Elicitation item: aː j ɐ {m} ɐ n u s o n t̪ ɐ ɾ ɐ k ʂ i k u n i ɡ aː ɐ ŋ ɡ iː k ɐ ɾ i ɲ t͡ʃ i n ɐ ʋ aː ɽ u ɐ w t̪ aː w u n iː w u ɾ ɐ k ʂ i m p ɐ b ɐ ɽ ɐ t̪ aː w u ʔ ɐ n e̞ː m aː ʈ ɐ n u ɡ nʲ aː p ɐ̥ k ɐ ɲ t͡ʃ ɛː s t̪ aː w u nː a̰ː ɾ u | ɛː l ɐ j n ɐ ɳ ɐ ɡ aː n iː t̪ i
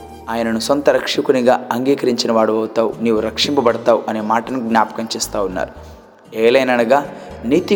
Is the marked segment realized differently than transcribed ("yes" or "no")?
yes